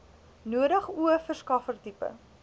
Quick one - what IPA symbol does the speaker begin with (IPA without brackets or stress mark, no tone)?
n